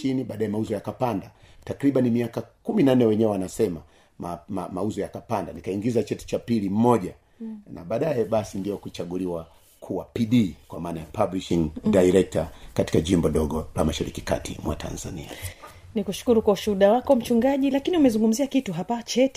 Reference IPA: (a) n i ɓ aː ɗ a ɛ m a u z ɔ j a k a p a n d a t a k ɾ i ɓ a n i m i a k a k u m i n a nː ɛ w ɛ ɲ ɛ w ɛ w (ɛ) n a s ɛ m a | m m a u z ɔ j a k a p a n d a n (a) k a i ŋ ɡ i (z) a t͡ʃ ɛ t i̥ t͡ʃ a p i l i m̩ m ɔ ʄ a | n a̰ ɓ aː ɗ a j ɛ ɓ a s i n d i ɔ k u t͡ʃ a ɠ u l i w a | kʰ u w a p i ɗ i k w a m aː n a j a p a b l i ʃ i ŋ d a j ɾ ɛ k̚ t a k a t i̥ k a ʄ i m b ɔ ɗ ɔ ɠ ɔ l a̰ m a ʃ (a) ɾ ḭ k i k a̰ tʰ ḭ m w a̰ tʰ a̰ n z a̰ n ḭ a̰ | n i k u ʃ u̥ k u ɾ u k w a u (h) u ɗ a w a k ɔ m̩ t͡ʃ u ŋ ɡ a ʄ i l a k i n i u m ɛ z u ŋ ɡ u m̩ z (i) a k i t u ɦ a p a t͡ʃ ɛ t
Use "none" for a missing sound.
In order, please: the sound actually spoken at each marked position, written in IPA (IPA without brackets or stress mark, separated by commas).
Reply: i, a, i, z, a, ʃ, i